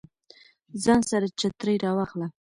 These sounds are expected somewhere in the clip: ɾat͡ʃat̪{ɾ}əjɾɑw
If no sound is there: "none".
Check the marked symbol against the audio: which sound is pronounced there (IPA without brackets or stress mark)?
ɾ